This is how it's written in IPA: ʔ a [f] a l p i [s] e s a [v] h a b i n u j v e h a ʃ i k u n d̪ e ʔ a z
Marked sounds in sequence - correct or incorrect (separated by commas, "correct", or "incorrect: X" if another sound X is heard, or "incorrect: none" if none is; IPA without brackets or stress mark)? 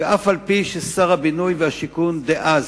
correct, incorrect: ʃ, incorrect: ʁ